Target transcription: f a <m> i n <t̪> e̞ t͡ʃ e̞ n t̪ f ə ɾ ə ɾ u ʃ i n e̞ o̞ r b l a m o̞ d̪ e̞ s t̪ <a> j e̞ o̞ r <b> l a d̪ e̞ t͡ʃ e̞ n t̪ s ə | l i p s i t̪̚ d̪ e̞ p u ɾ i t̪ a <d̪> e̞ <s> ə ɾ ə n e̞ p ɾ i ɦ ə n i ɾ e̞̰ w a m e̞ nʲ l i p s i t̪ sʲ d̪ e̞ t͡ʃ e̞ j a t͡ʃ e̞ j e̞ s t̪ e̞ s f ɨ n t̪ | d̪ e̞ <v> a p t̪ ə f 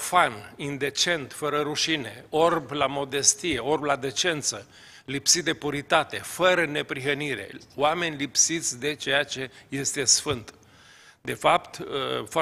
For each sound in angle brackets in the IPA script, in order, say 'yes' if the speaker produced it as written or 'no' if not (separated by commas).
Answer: no, no, no, yes, no, no, no